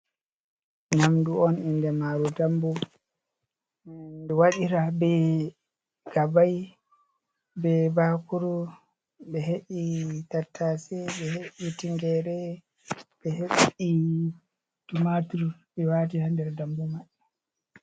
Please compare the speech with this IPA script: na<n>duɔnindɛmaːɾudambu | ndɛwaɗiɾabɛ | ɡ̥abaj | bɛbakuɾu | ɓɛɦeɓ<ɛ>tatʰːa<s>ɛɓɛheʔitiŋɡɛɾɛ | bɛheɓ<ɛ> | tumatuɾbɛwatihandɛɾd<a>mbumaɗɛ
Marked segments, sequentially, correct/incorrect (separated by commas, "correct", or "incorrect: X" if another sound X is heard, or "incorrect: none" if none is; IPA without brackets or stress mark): incorrect: m, incorrect: i, correct, incorrect: i, correct